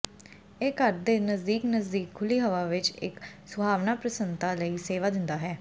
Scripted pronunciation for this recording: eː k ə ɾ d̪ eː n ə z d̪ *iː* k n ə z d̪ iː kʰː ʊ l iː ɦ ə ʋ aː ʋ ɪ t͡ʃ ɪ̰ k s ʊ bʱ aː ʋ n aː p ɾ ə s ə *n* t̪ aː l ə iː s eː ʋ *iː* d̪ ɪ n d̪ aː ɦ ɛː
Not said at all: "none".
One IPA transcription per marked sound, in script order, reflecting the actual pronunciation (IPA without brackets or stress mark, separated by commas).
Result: iː, n, aː